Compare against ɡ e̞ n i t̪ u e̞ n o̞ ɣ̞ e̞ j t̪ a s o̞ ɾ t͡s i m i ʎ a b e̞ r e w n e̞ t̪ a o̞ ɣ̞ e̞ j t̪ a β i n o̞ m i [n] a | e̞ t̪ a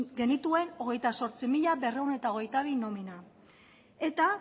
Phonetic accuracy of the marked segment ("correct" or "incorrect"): correct